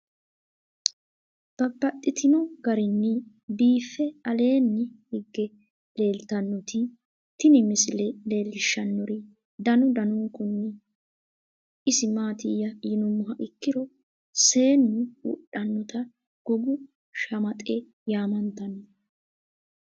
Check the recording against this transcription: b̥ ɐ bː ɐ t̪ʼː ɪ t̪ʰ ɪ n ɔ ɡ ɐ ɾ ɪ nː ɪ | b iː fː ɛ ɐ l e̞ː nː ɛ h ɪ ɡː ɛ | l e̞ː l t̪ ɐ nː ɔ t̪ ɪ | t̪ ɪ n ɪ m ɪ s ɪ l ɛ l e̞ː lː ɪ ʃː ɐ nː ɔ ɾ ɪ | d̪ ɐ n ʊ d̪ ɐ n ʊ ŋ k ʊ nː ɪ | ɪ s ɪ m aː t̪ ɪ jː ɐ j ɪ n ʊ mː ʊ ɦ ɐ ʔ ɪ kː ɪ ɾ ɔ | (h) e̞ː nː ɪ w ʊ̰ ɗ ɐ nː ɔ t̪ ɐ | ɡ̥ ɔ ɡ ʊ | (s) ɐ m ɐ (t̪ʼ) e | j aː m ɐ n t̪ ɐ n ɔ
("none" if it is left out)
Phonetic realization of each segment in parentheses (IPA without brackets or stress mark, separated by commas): s, ʃ, t̪ʼ